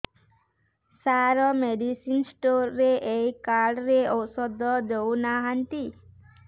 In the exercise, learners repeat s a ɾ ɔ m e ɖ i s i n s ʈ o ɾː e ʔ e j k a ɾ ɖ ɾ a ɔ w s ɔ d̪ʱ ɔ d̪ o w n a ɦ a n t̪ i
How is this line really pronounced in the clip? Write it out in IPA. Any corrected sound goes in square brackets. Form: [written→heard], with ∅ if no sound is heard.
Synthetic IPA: s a ɾ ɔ m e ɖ i s i n s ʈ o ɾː e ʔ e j k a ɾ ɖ ɾ [a→e] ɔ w s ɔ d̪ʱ ɔ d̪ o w n a ɦ a n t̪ i